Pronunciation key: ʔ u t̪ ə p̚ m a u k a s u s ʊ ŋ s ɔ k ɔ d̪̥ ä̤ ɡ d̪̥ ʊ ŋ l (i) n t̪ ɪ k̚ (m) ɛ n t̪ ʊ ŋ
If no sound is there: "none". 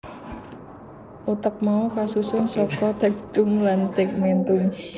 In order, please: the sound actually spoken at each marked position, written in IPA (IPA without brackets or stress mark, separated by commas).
a, m